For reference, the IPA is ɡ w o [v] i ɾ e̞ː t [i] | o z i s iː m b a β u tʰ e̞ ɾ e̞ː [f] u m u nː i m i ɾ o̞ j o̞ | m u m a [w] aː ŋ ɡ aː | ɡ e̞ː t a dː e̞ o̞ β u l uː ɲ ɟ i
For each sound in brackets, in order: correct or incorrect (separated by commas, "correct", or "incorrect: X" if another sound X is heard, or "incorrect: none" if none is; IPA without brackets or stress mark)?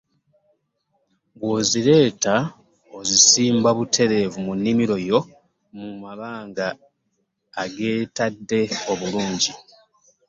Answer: incorrect: z, incorrect: a, incorrect: v, incorrect: β